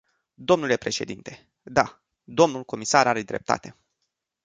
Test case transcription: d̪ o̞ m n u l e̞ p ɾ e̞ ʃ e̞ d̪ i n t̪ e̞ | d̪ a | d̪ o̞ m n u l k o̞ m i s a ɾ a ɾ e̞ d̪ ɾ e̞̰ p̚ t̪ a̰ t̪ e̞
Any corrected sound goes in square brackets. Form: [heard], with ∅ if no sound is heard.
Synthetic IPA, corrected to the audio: d̪ o̞ m n u l e̞ p ɾ e̞ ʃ e̞ d̪ i n t̪ e̞ | d̪ a | d̪ o̞ m n u l k o̞ m i s a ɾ a ɾ e̞ d̪ ɾ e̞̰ p̚ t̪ a̰ t̪ e̞